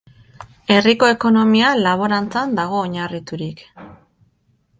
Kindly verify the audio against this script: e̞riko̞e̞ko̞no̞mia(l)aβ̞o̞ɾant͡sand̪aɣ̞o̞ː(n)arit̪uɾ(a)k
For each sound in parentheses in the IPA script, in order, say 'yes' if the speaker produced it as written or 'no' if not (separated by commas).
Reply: yes, no, no